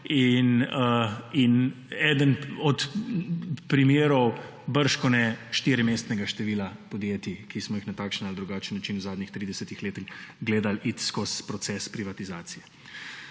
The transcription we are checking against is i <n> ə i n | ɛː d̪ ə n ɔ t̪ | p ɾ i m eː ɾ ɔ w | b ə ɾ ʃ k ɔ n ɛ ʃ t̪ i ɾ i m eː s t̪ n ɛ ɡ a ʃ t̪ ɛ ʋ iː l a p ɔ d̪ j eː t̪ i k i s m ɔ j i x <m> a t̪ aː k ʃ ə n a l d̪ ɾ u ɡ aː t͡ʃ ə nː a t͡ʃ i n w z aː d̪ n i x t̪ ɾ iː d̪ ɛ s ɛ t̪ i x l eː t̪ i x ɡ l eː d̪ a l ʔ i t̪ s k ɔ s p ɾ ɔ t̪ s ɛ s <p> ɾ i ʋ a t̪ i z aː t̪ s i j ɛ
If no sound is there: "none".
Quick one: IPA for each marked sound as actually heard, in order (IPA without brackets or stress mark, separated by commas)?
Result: n, n, p